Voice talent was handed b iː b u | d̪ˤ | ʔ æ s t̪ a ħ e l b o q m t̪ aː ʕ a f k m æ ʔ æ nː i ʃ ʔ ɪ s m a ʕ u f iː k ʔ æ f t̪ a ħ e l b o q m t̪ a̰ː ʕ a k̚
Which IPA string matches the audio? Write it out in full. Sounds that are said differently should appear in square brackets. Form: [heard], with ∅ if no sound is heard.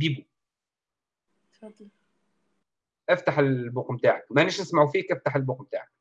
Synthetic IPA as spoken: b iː b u | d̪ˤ | ʔ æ [f] t̪ a ħ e l b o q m t̪ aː ʕ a [∅] k m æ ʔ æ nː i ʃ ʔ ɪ s m a ʕ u f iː k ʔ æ f t̪ a ħ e l b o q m t̪ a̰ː ʕ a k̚